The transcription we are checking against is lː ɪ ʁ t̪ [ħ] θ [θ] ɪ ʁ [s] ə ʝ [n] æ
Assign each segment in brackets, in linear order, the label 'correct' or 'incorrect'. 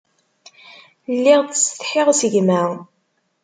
incorrect: s, incorrect: ħ, correct, incorrect: m

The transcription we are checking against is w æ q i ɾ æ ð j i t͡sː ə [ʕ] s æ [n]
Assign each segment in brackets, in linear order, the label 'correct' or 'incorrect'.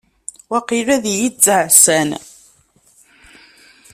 correct, correct

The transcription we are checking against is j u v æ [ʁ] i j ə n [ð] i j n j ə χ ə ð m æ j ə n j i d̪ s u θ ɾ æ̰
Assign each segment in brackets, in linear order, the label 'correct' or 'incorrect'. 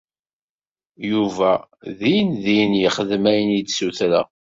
incorrect: ð, correct

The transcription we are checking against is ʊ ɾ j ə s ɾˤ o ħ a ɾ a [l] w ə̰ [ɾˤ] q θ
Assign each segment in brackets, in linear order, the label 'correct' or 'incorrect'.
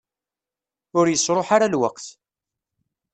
correct, incorrect: none

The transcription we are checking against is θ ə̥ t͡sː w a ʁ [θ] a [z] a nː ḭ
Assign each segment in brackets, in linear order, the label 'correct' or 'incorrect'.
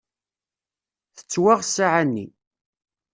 incorrect: s, incorrect: ʕ

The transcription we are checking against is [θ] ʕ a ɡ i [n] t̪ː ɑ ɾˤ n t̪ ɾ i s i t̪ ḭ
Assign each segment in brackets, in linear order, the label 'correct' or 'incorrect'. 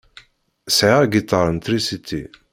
incorrect: s, incorrect: none

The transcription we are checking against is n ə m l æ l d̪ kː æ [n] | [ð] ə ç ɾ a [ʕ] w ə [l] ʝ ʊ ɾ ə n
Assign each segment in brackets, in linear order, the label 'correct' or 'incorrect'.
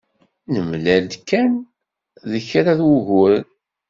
correct, correct, incorrect: ð, incorrect: none

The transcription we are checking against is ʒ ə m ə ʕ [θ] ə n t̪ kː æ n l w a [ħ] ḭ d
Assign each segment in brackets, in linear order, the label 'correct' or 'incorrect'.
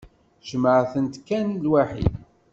correct, correct

